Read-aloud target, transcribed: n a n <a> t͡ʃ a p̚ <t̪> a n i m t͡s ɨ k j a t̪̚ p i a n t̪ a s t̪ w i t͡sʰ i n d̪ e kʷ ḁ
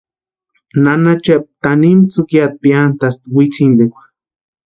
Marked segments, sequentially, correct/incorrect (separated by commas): correct, correct